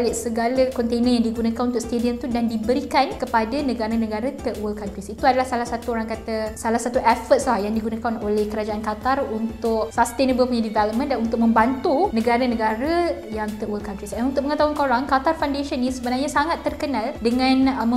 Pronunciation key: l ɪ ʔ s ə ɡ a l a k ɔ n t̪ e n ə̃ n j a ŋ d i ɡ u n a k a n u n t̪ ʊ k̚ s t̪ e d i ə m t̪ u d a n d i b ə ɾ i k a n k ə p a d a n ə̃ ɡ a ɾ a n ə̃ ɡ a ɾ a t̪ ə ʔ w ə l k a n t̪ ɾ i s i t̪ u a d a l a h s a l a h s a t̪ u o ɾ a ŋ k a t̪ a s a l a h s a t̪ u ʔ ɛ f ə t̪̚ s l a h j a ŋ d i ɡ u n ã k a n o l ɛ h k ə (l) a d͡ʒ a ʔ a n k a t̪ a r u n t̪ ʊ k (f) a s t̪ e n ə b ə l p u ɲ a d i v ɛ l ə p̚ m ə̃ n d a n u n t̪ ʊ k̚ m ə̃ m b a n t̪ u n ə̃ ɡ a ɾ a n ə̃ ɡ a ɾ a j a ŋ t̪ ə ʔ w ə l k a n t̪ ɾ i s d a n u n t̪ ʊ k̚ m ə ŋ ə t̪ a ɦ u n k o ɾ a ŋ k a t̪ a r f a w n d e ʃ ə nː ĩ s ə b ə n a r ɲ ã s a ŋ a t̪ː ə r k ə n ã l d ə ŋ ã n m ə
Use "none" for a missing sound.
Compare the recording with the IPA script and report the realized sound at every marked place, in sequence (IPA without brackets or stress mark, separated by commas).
ɾ, s